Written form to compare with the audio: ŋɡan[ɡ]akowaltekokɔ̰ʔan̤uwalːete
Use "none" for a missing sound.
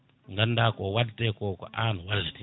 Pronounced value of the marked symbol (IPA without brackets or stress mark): d